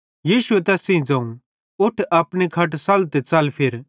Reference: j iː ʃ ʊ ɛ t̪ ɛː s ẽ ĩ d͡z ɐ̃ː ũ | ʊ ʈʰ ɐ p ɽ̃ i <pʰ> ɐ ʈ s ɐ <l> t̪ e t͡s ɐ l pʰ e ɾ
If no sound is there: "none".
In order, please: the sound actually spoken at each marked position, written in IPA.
kʰ, l

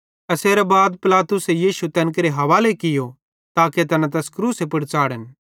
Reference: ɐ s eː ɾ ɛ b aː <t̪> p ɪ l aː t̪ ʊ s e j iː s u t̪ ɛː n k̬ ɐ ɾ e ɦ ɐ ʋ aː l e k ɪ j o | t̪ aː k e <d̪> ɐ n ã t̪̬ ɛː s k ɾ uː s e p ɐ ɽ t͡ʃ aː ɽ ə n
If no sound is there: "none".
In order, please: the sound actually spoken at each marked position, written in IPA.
d̪, t̪

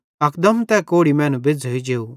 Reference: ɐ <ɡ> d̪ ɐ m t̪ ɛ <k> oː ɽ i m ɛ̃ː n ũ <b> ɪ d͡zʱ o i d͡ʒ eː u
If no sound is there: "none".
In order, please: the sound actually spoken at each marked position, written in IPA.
k, k, b

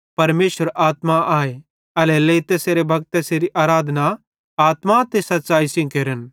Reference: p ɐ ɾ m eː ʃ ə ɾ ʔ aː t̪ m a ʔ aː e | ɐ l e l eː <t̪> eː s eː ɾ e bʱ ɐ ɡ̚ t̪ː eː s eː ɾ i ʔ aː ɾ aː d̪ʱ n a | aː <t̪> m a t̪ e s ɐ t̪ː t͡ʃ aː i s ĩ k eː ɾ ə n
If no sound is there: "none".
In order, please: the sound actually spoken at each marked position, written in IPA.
t̪, t̪

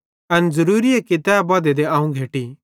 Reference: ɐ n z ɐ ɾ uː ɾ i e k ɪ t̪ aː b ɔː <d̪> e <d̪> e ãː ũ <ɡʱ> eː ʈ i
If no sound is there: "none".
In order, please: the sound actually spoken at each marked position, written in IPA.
d̪, d̪, ɡʱ

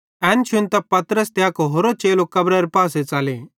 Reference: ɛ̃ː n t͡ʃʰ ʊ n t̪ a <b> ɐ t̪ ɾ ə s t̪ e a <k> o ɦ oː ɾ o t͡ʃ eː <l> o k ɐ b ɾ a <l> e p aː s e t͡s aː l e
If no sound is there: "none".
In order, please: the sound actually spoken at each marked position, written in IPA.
p, k, l, ɾ

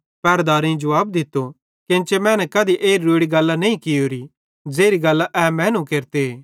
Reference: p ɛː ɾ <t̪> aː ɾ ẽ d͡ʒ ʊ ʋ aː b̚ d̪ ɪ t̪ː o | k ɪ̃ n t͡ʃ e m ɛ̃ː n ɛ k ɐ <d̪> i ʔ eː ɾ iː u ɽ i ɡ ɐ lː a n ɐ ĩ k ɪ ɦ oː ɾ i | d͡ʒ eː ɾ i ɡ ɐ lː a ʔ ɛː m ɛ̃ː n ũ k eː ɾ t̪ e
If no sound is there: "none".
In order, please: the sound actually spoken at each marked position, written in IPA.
d̪, d̪

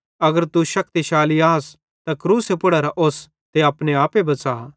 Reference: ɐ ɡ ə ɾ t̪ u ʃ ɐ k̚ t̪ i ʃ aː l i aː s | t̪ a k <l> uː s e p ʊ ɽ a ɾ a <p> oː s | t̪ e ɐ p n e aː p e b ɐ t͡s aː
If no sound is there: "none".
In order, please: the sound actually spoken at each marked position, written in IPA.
ɾ, ʔ

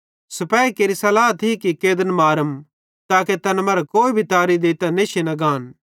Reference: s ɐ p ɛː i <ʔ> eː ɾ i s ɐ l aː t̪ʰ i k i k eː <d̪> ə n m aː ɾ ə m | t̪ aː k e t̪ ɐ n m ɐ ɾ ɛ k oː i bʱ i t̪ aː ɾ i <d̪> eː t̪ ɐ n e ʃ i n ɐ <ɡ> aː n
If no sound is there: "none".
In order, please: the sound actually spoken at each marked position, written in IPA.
k, d̪, d̪, ɡ

